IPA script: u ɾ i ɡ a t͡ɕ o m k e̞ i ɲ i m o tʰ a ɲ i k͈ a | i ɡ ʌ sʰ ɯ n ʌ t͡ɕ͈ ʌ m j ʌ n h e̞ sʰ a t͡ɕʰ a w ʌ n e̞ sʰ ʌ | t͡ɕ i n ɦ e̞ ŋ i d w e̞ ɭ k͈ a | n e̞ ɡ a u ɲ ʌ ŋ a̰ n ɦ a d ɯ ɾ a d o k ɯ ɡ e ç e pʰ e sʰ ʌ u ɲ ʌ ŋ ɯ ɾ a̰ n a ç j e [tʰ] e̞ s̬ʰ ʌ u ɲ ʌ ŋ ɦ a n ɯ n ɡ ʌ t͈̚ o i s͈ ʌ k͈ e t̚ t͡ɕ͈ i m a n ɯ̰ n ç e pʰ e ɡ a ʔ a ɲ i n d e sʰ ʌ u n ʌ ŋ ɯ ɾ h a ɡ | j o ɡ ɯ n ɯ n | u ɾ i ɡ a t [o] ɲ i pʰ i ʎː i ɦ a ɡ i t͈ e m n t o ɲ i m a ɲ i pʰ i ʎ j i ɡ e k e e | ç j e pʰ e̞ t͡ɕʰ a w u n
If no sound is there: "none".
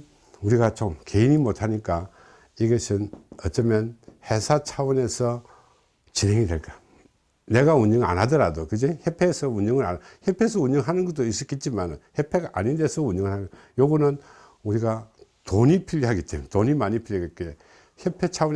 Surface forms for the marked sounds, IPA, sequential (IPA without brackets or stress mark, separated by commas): pʰ, o